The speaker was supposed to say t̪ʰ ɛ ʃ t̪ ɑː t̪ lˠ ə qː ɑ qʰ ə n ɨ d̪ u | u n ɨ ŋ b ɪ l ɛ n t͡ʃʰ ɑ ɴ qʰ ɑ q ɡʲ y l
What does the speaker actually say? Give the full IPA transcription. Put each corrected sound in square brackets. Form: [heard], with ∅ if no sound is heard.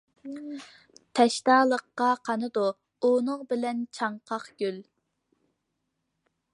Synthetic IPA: t̪ʰ ɛ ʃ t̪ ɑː [∅] lˠ ə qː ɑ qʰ [ɑ] n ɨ d̪ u | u n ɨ ŋ b ɪ l ɛ n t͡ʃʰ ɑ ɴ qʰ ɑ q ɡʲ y l